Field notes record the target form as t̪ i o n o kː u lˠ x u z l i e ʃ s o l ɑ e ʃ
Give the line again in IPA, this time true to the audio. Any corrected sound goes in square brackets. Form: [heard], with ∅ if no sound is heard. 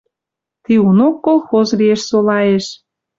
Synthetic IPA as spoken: t̪ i [u] n o kː [o] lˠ x [o] z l i e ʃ s o l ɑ e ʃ